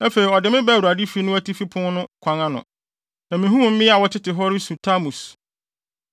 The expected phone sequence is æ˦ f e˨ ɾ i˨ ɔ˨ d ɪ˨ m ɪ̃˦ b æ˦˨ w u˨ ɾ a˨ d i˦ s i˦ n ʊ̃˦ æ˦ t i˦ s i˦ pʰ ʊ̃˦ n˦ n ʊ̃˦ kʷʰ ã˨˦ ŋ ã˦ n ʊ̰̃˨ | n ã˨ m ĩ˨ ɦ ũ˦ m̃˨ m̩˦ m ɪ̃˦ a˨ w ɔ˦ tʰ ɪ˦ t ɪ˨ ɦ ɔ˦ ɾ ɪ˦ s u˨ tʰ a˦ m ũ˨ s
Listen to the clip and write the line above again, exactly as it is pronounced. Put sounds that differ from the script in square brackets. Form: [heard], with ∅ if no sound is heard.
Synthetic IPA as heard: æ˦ f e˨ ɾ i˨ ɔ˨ d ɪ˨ m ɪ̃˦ b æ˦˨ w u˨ ɾ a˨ d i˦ [f] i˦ n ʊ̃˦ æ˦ t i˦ [f] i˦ pʰ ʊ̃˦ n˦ n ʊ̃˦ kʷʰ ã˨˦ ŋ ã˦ n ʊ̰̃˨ | n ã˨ m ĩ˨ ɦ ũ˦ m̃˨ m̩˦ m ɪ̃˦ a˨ w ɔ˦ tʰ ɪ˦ t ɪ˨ ɦ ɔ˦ ɾ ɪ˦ s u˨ tʰ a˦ m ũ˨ s